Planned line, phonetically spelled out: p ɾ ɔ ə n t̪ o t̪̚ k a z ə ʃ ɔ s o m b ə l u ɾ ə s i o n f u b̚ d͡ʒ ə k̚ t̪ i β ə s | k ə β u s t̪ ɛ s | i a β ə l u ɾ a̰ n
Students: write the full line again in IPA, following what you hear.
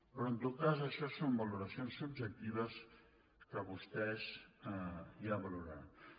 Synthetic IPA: p ɾ ɔ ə n t̪ o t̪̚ k a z ə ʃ ɔ s o m b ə l u ɾ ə s i o n s u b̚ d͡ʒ ə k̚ t̪ i β ə s | k ə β u s t̪ ɛ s | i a β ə l u ɾ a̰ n